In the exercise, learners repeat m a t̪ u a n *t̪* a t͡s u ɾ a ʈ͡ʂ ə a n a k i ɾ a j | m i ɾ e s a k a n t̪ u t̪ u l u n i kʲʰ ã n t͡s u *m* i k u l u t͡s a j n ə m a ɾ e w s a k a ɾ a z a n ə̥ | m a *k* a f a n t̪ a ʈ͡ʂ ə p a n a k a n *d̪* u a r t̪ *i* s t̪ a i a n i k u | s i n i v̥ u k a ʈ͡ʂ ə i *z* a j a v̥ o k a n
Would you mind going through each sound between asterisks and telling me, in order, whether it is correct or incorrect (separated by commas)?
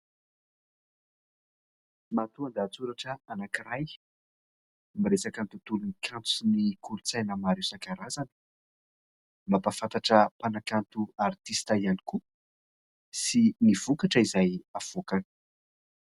incorrect, incorrect, incorrect, incorrect, correct, correct